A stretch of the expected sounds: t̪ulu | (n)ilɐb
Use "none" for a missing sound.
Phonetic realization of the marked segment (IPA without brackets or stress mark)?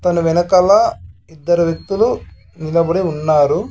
n